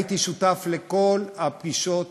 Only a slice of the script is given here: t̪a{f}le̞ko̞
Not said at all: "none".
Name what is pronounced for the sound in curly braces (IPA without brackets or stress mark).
f